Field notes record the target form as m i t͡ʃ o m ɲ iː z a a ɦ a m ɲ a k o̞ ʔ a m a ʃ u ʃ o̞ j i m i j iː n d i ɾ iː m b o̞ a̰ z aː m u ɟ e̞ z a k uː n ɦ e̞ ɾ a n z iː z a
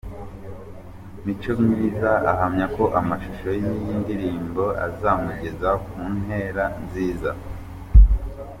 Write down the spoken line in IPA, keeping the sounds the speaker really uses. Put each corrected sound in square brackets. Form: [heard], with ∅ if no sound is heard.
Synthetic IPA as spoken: m i t͡ʃ o m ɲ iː z a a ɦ a m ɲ a k o̞ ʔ a m a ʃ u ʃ o̞ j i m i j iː n d i ɾ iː m b o̞ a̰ z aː m u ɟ e̞ z a k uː n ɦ e̞ ɾ a n z iː z a